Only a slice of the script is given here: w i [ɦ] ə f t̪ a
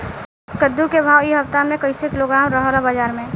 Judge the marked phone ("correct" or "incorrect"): correct